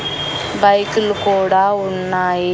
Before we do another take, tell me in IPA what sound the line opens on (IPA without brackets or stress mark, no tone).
b